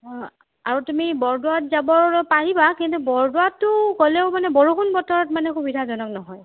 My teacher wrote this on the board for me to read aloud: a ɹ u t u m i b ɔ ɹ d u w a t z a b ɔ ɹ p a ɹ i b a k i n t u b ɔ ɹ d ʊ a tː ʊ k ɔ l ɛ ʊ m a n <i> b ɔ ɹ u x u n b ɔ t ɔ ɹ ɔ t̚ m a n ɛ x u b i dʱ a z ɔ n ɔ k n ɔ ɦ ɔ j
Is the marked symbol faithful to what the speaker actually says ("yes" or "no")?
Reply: no